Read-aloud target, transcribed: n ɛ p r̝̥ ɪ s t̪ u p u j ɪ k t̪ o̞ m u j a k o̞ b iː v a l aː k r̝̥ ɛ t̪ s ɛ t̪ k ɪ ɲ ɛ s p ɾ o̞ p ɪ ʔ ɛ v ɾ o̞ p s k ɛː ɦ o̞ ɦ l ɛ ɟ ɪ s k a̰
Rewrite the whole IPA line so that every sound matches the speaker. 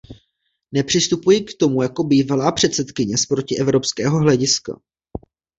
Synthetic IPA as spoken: n ɛ p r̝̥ ɪ s t̪ u p u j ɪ k t̪ o̞ m u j a k o̞ b iː v a l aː p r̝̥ ɛ t̪ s ɛ t̪ k ɪ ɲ ɛ s p ɾ o̞ c ɪ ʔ ɛ v ɾ o̞ p s k ɛː ɦ o̞ ɦ l ɛ ɟ ɪ s k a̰